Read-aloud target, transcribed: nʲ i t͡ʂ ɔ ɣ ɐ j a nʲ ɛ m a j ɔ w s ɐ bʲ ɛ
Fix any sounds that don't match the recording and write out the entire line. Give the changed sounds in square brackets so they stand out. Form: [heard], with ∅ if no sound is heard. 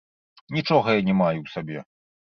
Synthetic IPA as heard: nʲ i t͡ʂ ɔ ɣ ɐ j a nʲ ɛ m a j [u] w s [a] bʲ ɛ